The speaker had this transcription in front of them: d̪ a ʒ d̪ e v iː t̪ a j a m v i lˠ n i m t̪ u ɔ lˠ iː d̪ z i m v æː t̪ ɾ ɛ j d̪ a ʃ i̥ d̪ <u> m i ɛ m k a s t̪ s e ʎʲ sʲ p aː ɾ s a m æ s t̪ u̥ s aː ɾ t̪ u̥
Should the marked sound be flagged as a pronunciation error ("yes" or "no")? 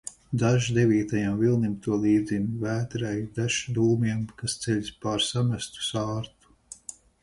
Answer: yes